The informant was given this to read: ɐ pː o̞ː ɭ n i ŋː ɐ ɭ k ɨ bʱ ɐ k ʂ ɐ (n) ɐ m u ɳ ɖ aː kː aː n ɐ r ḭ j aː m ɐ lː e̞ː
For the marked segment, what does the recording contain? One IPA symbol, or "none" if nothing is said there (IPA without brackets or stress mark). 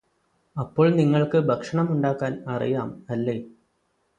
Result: ɳ